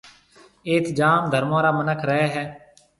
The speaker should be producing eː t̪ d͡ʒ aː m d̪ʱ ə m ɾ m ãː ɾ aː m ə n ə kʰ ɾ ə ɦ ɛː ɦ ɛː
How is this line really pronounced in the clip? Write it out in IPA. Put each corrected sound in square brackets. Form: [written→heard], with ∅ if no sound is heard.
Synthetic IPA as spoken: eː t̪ d͡ʒ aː m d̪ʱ ə [m→∅] ɾ m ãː ɾ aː m ə n ə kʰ ɾ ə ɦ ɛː ɦ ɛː